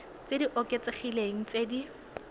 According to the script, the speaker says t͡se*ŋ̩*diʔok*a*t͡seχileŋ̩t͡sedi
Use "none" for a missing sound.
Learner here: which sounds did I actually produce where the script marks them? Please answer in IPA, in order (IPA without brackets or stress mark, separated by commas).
none, e